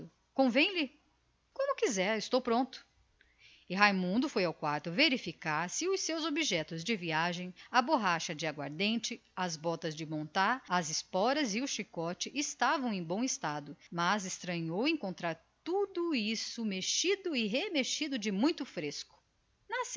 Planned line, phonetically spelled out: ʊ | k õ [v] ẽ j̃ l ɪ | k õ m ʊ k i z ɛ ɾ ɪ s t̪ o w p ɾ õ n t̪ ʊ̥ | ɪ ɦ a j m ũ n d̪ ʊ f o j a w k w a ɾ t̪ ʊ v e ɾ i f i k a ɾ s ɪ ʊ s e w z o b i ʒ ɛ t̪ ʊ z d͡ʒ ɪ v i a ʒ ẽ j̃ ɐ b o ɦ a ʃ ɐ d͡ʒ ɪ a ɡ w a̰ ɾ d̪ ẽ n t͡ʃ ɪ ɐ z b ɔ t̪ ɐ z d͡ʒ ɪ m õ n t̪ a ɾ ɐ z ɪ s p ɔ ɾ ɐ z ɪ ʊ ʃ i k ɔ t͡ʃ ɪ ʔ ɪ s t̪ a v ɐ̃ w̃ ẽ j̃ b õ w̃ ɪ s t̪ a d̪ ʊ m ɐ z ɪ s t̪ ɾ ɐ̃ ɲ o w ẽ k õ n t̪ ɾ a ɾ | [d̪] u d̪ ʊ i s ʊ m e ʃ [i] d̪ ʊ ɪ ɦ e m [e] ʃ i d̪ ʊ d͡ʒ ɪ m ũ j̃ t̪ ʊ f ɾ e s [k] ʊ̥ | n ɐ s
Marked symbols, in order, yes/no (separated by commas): yes, no, yes, yes, yes